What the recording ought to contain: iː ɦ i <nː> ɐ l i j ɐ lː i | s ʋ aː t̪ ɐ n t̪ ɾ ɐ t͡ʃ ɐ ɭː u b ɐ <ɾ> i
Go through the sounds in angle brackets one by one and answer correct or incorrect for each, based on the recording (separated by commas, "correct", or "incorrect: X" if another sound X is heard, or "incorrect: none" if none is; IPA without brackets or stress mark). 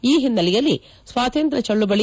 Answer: correct, incorrect: ɭ